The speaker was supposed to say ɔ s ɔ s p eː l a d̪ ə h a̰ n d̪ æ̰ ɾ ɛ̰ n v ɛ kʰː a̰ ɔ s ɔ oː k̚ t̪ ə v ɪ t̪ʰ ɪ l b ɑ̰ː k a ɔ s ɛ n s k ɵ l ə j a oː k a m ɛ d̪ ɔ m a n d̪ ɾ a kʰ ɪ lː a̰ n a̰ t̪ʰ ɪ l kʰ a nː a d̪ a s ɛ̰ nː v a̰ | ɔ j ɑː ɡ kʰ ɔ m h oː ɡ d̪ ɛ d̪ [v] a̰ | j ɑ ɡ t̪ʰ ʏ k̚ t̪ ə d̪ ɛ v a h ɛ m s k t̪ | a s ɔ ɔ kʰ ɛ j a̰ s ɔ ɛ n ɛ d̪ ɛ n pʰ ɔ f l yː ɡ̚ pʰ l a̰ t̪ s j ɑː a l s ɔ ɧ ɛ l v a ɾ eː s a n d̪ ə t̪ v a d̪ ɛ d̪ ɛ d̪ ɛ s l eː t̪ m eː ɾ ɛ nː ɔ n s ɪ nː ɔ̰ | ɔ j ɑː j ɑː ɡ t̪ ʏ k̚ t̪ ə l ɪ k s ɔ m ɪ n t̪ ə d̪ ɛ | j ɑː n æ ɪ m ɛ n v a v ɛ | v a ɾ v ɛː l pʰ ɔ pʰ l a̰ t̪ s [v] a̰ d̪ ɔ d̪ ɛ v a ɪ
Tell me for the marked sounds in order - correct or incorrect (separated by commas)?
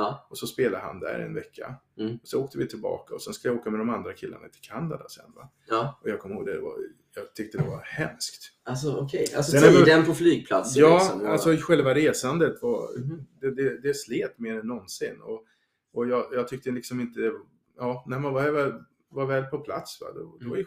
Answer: correct, correct